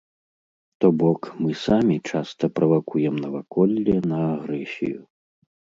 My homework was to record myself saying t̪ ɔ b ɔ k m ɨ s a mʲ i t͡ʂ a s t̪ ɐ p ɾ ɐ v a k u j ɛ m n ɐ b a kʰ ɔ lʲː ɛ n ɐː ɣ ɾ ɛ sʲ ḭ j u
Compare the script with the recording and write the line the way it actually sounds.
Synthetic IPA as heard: t̪ ɔ b ɔ k m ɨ s a mʲ i t͡ʂ a s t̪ ɐ p ɾ ɐ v a k u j ɛ m n ɐ v a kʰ ɔ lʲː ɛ n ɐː ɣ ɾ ɛ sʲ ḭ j u